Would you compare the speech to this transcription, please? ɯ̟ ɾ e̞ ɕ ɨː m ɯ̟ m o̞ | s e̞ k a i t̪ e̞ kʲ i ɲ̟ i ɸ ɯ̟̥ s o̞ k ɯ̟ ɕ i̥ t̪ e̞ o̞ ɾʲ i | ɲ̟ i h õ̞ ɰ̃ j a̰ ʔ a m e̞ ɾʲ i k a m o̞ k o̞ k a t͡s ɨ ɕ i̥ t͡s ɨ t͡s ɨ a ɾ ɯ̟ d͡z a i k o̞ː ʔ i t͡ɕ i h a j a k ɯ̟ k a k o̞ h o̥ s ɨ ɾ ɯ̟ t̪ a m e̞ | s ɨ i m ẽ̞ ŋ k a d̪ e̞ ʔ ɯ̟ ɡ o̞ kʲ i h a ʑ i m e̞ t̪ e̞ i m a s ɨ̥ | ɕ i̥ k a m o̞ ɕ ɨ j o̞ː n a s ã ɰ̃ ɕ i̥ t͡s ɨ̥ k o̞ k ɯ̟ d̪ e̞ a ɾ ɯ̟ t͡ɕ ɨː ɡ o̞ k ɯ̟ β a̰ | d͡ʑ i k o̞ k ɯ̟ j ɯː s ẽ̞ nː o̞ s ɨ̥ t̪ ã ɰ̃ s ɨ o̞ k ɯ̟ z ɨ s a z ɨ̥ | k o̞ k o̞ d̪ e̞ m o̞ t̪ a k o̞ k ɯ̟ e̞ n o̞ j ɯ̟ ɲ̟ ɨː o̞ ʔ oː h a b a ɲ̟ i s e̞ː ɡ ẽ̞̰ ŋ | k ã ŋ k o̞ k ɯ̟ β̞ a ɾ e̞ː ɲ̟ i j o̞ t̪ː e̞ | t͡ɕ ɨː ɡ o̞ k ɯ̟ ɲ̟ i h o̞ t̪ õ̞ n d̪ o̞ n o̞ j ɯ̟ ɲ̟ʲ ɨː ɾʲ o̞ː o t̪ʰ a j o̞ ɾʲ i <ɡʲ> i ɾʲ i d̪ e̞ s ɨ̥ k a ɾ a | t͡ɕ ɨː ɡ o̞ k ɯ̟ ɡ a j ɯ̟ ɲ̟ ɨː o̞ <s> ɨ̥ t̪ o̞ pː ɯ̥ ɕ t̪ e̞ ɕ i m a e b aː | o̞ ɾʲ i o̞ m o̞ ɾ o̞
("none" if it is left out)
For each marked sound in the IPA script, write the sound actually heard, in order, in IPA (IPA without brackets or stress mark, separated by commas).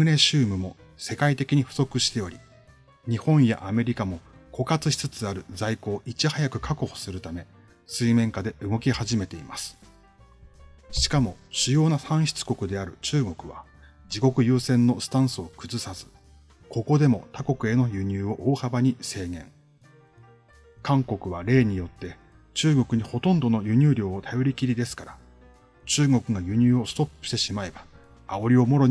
kʲ, s